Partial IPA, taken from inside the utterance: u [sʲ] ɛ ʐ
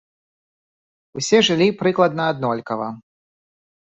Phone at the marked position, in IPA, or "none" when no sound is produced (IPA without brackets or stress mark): sʲ